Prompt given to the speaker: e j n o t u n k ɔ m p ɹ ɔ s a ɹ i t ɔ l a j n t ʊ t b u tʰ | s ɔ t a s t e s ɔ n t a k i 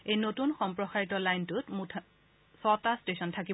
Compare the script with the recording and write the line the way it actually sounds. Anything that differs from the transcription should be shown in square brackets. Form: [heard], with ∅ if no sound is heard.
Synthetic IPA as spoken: e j n o t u n [x] ɔ m p ɹ ɔ [x] a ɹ i t ɔ l a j n t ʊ t [m] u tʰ | s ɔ t a s t e s ɔ n [tʰ] a k i

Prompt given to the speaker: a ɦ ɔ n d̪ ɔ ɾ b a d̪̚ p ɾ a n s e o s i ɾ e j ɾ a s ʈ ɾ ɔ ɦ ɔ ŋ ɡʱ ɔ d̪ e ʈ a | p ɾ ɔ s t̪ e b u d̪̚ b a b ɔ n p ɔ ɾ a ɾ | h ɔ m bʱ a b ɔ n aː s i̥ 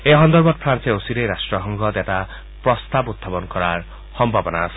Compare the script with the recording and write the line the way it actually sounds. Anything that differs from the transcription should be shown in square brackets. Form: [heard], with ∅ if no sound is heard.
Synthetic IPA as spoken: [e] ɦ ɔ n d̪ ɔ ɾ b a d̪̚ [pʰ] ɾ a n s e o s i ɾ e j ɾ a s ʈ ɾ ɔ ɦ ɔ ŋ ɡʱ ɔ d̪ e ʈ a | p ɾ ɔ s t̪ [a] b u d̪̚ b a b ɔ n [k] ɔ ɾ a ɾ | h ɔ m bʱ a b ɔ n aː s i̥

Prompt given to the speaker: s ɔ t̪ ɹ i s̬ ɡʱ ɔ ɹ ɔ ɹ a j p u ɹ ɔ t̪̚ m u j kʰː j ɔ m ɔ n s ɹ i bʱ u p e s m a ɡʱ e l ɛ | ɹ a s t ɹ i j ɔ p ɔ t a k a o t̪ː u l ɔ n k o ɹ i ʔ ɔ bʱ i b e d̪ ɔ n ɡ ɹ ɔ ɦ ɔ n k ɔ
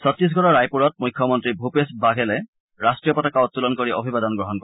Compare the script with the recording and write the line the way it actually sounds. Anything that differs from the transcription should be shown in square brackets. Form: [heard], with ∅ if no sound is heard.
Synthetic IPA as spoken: s ɔ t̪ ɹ i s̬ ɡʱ ɔ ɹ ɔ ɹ a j p u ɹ ɔ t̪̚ m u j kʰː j ɔ m ɔ n [t] ɹ i bʱ u p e s [b] a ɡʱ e l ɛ | ɹ a s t ɹ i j ɔ p ɔ t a k a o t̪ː u l ɔ n k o ɹ i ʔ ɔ bʱ i b [a] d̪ ɔ n ɡ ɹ ɔ ɦ ɔ n k ɔ

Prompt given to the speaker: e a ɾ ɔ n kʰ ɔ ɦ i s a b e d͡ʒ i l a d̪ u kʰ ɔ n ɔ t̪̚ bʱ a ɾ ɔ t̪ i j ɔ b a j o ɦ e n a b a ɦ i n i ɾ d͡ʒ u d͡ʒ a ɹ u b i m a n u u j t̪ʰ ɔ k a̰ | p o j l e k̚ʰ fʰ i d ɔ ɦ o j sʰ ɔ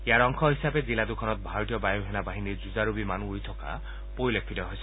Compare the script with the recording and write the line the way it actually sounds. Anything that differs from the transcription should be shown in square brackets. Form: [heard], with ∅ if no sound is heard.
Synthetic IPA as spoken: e a ɾ ɔ [ŋ] kʰ ɔ ɦ i s a b e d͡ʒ i l a d̪ u kʰ ɔ n ɔ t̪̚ bʱ a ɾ ɔ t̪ i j ɔ b a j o ɦ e n a b a ɦ i n i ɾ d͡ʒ u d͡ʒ a [ɾ] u b i m a n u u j t̪ʰ ɔ k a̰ | p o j l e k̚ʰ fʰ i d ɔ ɦ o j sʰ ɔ

